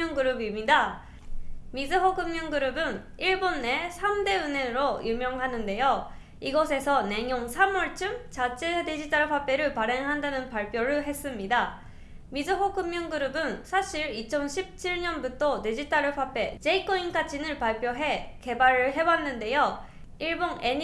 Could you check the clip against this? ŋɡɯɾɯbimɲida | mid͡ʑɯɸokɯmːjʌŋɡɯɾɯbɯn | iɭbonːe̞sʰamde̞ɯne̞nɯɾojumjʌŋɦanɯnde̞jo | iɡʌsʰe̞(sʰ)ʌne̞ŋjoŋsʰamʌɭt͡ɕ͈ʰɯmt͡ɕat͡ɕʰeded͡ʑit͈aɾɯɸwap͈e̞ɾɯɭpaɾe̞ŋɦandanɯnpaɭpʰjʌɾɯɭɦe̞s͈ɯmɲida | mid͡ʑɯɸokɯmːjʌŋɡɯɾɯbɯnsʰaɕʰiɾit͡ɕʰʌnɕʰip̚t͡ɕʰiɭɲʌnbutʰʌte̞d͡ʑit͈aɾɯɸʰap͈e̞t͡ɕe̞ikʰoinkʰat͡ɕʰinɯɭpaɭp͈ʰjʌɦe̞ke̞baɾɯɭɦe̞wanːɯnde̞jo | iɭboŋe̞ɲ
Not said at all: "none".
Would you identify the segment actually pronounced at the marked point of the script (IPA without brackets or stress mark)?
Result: sʰ